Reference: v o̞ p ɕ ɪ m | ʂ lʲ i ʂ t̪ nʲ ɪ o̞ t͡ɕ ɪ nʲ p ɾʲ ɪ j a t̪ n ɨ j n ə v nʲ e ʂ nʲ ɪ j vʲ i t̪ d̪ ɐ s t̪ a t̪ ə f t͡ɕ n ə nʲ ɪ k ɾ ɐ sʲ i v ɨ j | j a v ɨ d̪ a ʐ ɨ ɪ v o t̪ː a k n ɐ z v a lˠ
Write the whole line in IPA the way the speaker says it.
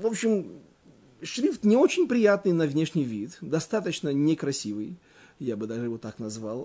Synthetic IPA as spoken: v o̞ p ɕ ɪ m | ʂ ɾʲ i f t̪ nʲ ɪ o̞ t͡ɕ ɪ nʲ p ɾʲ ɪ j a t̪ n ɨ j n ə v nʲ e ʂ nʲ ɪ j vʲ i t̪ d̪ ɐ s t̪ a t̪ ə t͡ɕ n ə nʲ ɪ k ɾ ɐ sʲ i v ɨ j | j a b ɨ d̪ a ʐ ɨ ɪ v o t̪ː a k n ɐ z v a lˠ